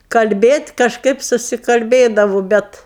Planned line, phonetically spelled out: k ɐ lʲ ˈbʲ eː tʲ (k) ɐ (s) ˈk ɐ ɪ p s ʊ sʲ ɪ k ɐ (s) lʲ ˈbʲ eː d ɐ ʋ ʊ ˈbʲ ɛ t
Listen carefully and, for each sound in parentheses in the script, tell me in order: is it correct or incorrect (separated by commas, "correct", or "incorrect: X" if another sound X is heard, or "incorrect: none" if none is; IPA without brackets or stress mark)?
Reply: correct, incorrect: ʃ, incorrect: none